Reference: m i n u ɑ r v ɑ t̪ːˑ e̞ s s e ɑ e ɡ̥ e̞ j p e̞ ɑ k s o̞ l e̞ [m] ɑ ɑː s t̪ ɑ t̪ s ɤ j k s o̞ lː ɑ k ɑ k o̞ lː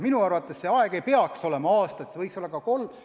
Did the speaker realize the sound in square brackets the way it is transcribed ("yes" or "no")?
yes